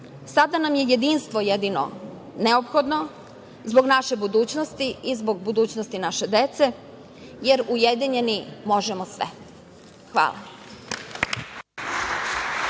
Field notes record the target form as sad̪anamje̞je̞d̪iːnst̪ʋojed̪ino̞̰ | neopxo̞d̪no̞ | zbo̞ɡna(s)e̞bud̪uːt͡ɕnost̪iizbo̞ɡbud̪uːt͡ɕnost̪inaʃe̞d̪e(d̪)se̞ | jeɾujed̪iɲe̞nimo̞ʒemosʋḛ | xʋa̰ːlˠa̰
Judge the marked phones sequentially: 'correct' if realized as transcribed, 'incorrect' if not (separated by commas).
incorrect, incorrect